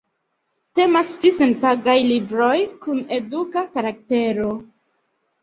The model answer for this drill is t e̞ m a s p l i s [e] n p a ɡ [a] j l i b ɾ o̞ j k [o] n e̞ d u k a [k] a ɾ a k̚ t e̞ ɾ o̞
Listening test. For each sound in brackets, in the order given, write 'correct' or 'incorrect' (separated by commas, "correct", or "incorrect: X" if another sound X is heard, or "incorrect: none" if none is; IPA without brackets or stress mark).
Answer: correct, correct, incorrect: u, correct